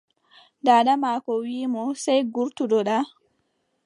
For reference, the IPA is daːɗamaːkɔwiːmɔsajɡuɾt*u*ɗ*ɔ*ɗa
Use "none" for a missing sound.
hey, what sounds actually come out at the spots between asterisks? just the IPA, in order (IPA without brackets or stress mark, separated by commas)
u, ɔ